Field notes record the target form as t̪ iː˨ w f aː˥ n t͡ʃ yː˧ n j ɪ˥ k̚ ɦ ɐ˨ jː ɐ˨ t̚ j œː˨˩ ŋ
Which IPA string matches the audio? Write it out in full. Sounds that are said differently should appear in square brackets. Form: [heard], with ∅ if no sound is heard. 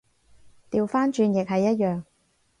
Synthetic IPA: t̪ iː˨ w f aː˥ n t͡ʃ yː˧ n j [ɪ˨] k̚ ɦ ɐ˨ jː [ɐ˥] t̚ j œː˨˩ ŋ